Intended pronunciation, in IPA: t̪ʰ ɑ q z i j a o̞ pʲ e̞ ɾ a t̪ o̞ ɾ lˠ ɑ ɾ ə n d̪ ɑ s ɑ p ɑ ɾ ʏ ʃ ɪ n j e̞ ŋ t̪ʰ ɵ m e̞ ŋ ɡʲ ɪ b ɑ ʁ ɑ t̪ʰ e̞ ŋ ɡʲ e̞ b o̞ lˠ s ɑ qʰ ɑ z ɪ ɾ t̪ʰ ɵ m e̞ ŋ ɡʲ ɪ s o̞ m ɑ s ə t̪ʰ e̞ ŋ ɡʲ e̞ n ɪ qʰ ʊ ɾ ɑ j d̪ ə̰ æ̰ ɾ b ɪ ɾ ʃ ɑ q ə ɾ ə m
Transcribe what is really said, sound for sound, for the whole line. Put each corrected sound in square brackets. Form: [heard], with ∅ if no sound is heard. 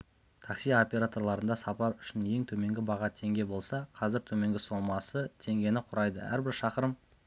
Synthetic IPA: t̪ʰ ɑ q [s] i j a o̞ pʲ e̞ ɾ a t̪ o̞ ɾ lˠ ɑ ɾ ə n d̪ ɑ s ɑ p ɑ ɾ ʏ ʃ ɪ n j e̞ ŋ t̪ʰ ɵ m e̞ ŋ ɡʲ ɪ b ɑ ʁ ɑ t̪ʰ e̞ ŋ ɡʲ e̞ b o̞ lˠ s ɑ qʰ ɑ z ɪ ɾ t̪ʰ ɵ m e̞ ŋ ɡʲ ɪ s o̞ m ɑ s ə t̪ʰ e̞ ŋ ɡʲ e̞ n ɪ qʰ ʊ ɾ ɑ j d̪ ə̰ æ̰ ɾ b ɪ ɾ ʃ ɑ q ə ɾ ə m